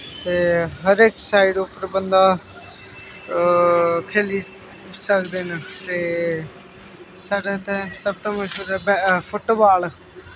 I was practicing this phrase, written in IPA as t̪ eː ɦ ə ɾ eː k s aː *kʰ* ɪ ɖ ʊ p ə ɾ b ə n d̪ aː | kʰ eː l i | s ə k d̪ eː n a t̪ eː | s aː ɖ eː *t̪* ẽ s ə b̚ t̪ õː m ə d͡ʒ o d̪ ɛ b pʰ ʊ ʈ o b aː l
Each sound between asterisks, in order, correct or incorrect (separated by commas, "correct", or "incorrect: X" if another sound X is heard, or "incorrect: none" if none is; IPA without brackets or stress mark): incorrect: none, correct